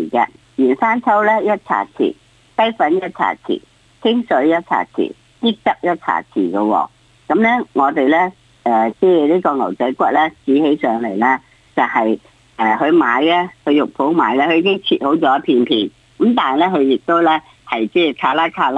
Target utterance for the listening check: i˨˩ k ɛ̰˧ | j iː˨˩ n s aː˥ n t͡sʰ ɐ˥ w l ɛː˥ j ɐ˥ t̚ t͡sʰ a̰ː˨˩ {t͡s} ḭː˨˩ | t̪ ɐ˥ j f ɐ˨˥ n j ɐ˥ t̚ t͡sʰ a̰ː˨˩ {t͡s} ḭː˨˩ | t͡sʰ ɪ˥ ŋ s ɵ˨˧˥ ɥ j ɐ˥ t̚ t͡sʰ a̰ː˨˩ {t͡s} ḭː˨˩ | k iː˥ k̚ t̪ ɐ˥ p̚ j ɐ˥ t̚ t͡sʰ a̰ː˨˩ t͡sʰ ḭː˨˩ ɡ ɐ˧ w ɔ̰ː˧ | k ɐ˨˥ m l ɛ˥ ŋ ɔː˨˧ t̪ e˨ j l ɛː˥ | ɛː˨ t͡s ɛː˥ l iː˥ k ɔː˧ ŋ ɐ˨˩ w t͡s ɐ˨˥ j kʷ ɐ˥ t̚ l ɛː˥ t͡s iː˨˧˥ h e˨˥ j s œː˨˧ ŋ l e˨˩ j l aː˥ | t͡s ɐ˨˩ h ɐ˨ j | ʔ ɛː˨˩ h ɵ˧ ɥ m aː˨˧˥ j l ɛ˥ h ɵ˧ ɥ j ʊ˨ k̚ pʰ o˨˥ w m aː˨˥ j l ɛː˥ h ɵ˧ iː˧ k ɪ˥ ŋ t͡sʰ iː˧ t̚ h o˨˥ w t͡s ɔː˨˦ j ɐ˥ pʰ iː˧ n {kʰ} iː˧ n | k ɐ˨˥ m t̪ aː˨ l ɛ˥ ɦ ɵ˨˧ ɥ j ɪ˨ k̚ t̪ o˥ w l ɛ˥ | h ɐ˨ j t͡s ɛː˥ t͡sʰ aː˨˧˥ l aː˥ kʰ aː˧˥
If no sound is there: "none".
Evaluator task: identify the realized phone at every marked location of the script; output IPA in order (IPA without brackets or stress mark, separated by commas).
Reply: t͡sʰ, t͡sʰ, t͡sʰ, pʰ